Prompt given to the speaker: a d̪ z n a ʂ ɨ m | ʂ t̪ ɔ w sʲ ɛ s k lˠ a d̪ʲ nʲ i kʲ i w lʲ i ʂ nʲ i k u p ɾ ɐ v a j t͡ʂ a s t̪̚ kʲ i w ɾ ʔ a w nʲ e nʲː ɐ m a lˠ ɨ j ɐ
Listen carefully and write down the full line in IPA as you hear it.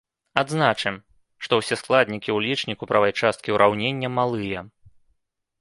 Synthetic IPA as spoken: a d̪ z n a t͡ʂ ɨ m | ʂ t̪ ɔ w sʲ ɛ s k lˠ a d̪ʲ nʲ i kʲ i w lʲ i t͡ʂ nʲ i k u p ɾ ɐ v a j t͡ʂ a s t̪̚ kʲ i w ɾ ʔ a w nʲ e nʲː ɐ m a lˠ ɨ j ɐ